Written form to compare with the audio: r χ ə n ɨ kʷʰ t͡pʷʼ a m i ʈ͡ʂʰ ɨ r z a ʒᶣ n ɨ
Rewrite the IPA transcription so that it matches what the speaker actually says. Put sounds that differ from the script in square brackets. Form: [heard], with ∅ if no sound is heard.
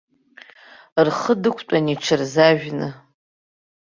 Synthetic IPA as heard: r χ ə [d] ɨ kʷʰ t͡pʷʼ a [n] i ʈ͡ʂʰ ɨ r z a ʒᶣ n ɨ